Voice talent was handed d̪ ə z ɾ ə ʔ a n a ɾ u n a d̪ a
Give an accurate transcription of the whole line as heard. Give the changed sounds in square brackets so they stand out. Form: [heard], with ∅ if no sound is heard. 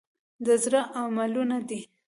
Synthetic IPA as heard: d̪ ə z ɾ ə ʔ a [m] a [l] u n a d̪ [i]